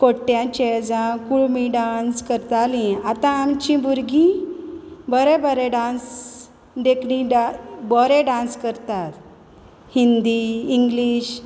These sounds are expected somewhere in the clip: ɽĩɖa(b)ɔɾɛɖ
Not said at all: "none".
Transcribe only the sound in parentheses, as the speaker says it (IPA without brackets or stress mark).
b